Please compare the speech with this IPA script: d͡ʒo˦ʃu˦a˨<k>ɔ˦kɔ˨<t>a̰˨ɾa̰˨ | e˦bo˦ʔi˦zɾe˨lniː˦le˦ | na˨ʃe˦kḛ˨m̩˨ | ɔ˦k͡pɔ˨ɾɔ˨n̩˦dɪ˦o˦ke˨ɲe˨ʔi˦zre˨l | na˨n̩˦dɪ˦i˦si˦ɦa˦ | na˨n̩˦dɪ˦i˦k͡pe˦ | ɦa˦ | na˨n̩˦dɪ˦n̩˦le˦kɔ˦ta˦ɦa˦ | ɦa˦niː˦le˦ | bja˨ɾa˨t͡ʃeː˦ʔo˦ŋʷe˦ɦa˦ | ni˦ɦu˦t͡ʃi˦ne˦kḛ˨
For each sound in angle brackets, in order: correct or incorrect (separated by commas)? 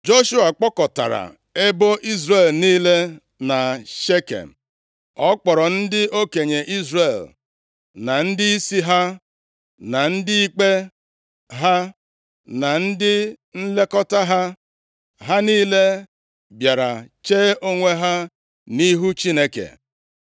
incorrect, correct